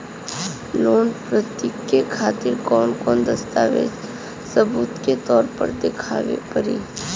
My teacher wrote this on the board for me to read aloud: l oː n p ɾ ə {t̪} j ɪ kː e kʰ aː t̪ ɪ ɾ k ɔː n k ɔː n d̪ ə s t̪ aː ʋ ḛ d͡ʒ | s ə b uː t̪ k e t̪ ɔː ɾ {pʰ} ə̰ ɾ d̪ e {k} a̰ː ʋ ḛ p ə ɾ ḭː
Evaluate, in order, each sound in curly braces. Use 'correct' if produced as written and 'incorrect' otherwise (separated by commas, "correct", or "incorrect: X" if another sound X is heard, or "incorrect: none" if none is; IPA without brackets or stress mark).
correct, incorrect: p, incorrect: kʰ